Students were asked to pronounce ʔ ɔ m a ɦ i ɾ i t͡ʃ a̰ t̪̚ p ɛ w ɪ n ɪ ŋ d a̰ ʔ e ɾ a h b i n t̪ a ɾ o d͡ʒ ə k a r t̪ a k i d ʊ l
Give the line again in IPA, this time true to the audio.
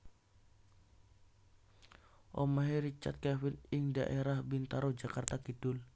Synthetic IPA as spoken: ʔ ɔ m a ɦ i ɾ i t͡ʃ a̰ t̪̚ k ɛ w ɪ n ɪ ŋ d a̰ ʔ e ɾ a h b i n t̪ a ɾ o d͡ʒ a k a r t̪ a k i d ʊ l